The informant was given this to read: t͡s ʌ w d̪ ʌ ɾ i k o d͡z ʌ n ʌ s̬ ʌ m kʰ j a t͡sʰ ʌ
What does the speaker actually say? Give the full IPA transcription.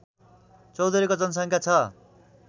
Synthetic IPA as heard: t͡s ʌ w d̪ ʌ ɾ i k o d͡z ʌ n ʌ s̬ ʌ ŋ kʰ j a t͡sʰ ʌ